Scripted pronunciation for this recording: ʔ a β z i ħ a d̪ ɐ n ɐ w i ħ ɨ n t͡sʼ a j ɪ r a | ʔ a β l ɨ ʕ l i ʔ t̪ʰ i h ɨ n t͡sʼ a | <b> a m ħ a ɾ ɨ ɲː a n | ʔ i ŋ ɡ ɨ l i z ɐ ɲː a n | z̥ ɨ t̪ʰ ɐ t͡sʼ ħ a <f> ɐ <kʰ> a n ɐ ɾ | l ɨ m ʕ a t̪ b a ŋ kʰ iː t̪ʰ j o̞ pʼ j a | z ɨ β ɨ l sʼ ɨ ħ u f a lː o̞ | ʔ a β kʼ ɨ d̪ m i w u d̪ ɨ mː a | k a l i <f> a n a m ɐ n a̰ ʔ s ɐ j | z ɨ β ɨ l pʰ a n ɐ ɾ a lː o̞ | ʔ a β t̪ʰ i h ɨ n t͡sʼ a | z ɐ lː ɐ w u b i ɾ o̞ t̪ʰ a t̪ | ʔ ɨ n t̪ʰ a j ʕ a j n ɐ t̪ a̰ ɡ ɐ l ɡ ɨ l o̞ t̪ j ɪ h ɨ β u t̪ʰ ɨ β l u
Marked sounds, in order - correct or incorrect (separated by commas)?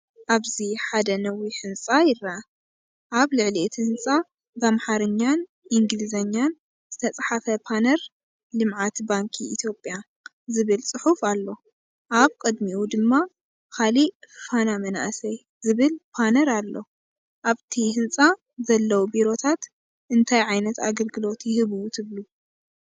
correct, correct, incorrect, correct